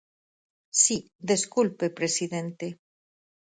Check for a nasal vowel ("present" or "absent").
absent